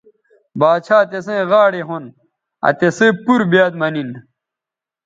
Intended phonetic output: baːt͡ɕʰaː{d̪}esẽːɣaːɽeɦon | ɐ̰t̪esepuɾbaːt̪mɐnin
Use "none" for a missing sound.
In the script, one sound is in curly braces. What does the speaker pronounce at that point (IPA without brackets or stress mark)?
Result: t̪